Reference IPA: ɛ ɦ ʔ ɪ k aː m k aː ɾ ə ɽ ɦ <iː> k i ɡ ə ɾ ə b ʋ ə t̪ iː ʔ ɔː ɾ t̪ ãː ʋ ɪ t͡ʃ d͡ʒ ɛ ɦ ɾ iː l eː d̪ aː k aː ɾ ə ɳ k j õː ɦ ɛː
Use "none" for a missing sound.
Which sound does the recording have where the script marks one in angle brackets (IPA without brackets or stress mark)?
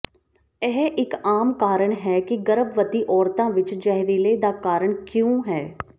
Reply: ɛː